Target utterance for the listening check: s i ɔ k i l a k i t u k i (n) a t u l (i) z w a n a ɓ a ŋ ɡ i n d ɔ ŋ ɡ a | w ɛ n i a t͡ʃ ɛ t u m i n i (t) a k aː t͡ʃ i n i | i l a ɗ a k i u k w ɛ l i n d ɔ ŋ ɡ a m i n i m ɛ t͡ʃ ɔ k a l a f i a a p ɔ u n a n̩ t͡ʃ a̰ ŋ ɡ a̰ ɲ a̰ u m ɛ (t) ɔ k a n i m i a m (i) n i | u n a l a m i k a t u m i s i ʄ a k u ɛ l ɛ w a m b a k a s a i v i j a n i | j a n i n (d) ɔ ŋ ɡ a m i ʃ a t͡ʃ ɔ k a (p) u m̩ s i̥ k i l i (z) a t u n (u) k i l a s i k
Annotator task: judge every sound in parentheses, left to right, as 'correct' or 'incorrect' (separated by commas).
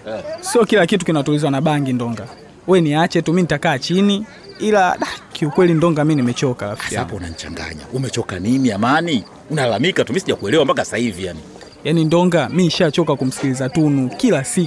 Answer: correct, correct, correct, incorrect, incorrect, correct, incorrect, correct, correct